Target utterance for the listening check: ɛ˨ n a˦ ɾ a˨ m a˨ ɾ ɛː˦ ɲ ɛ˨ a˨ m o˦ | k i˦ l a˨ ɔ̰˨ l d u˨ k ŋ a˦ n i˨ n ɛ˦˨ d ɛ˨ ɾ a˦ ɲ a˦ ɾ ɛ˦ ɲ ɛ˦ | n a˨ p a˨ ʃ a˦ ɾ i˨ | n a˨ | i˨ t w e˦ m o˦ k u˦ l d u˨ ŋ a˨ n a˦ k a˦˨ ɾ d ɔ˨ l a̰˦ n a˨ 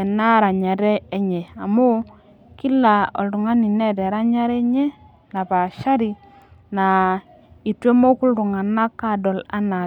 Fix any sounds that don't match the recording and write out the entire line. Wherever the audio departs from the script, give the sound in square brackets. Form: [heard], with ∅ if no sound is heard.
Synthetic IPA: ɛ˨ n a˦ ɾ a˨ [ɲ] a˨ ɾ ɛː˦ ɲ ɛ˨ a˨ m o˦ | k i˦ l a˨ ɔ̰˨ l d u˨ [∅] ŋ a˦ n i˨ n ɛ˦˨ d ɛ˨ ɾ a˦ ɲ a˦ ɾ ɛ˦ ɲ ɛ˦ | n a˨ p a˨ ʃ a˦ ɾ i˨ | n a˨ | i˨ t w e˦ m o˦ k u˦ l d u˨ ŋ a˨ n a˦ k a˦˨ [∅] d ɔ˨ l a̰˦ n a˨

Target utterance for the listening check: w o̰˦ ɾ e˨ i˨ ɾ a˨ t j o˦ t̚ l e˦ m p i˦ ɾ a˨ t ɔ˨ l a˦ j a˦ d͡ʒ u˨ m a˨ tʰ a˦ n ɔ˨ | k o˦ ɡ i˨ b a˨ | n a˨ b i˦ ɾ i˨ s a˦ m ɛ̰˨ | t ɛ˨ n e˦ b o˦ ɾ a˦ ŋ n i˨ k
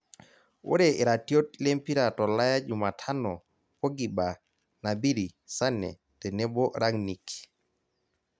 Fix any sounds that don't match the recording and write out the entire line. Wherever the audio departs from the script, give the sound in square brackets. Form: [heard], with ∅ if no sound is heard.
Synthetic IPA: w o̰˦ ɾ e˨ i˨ ɾ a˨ t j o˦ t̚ l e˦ m p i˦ ɾ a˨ t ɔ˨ l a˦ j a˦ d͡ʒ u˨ m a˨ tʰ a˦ n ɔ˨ | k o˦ ɡ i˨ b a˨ | n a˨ b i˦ ɾ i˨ s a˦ [n] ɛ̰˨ | t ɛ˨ n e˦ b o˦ ɾ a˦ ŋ n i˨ k

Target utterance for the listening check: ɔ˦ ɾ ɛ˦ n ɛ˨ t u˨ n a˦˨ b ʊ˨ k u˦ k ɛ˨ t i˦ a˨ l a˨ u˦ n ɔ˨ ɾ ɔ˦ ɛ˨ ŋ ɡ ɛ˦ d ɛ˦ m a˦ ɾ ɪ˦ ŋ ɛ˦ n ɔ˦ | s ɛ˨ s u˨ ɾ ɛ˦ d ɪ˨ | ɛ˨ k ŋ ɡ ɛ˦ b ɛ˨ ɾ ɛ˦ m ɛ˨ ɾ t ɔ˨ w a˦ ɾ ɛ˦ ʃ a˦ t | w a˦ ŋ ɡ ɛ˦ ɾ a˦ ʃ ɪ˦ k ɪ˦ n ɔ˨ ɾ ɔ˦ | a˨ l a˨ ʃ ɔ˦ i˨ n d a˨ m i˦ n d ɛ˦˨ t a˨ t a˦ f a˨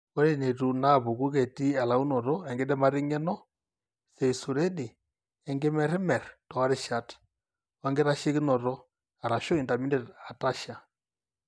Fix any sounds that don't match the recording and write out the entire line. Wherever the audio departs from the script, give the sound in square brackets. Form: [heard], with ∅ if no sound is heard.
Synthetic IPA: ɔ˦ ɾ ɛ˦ n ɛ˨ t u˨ n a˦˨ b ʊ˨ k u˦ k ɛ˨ t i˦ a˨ l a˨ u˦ n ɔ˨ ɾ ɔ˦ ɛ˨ ŋ ɡ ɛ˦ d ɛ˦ m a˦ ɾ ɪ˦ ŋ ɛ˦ n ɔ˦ | s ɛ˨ s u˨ ɾ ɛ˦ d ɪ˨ | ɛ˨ [∅] ŋ ɡ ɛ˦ [m] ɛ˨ ɾ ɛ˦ m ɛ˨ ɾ t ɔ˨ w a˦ ɾ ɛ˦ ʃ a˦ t | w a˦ ŋ ɡ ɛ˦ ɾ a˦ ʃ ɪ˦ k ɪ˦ n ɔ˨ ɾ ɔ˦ | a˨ [ɾ] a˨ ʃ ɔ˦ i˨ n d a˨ m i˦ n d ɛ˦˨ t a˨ t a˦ [ʃ] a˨

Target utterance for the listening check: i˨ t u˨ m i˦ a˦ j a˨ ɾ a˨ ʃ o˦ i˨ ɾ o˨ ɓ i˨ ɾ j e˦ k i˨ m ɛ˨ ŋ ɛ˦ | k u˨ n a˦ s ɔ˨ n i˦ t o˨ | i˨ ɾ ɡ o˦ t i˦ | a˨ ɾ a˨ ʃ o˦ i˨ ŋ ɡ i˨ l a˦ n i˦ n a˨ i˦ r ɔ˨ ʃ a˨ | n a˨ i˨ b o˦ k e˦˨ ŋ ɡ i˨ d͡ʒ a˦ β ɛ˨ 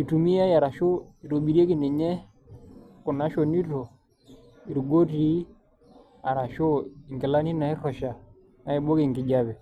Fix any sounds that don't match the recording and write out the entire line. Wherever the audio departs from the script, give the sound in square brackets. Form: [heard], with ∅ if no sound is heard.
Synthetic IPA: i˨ t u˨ m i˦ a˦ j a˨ ɾ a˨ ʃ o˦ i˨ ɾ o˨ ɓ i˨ ɾ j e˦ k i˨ [n] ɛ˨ [ɲ] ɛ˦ | k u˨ n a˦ [ʃ] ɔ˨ n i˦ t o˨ | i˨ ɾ ɡ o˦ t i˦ | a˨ ɾ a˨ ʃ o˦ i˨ ŋ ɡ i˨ l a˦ n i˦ n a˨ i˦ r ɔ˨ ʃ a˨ | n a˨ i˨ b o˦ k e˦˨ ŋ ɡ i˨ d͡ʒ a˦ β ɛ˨

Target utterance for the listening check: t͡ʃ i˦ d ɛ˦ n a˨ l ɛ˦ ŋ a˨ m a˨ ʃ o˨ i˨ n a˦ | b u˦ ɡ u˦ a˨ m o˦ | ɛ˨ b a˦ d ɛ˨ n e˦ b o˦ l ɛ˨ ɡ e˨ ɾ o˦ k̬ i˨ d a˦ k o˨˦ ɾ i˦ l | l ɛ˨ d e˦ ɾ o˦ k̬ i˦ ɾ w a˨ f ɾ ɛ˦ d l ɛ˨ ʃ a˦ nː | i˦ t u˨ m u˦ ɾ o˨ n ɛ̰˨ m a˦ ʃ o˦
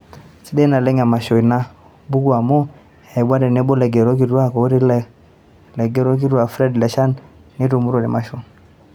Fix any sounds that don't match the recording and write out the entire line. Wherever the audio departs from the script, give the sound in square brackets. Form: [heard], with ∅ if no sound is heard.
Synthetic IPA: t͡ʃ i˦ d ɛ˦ n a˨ l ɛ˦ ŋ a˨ m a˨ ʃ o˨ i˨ n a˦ | b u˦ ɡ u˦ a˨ m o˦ | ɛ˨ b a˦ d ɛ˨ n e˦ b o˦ l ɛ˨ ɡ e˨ ɾ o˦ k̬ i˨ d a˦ k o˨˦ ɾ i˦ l | l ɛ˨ [ɡ] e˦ ɾ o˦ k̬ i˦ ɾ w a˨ f ɾ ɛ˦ d l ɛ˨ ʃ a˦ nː | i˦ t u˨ m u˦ ɾ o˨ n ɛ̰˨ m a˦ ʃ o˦

